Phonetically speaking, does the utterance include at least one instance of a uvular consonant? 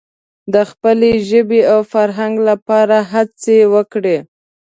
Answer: no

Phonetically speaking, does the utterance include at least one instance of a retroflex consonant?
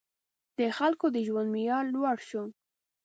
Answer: yes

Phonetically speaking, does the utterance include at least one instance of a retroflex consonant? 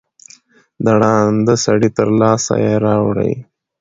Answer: yes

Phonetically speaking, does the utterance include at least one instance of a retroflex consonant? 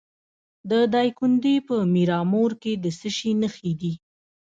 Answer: no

